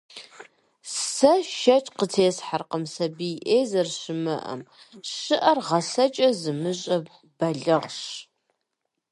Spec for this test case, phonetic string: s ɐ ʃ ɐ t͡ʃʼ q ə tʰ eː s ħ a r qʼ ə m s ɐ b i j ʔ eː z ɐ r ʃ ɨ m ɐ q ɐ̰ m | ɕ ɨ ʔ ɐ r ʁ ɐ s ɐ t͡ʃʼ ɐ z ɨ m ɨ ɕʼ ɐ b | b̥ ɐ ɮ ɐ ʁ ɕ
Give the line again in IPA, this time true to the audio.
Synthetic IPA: s ɐ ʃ ɐ t͡ʃʼ q ə tʰ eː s ħ a r q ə m s ɐ b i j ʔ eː z ɐ r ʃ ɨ m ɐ ʔ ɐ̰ m | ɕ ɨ ʔ ɐ r ʁ ɐ s ɐ t͡ʃʼ ɐ z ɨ m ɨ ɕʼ ɐ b | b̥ ɐ ɮ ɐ ʁ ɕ